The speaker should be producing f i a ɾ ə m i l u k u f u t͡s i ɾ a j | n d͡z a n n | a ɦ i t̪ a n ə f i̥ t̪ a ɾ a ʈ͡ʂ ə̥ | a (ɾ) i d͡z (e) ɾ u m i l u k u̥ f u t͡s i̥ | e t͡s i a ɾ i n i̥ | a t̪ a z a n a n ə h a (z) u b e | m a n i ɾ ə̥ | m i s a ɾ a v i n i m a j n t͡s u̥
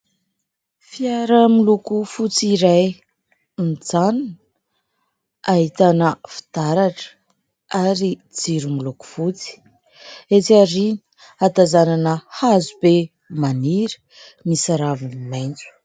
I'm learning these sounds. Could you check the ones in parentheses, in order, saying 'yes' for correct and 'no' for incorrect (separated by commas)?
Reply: yes, no, yes